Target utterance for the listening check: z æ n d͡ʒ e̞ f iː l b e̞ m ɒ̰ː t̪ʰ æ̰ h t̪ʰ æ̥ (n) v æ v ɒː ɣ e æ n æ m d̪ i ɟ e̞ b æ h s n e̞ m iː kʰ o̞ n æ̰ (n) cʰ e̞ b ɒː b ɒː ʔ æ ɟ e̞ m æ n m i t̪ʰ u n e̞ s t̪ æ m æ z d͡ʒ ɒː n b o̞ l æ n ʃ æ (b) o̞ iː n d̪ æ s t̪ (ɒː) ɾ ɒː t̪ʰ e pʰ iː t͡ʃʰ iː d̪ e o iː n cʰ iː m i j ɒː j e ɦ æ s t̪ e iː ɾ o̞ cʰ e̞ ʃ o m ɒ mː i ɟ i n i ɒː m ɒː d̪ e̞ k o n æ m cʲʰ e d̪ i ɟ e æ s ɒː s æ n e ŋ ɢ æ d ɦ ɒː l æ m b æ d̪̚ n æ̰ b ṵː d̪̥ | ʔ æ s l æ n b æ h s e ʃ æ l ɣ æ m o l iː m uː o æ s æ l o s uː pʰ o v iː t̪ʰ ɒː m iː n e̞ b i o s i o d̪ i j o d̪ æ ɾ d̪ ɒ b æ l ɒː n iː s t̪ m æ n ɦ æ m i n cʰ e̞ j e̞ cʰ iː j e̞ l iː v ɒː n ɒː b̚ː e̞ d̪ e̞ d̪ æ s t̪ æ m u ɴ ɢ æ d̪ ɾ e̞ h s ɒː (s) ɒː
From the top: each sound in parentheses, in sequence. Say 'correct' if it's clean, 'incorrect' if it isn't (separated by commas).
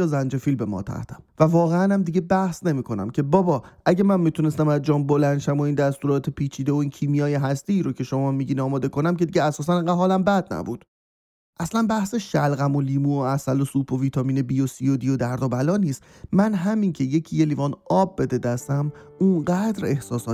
incorrect, incorrect, incorrect, incorrect, correct